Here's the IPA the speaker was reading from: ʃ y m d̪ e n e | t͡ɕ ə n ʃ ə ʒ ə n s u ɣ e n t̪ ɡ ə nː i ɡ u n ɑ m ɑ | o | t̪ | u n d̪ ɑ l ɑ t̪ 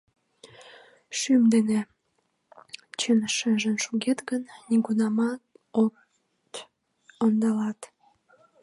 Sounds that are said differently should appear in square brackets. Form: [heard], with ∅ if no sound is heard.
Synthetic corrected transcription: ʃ y m d̪ e n e | t͡ɕ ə n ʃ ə ʒ ə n [ʃ] u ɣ e [∅] t̪ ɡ ə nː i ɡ u n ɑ m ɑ | o | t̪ | [o] n d̪ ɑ l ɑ t̪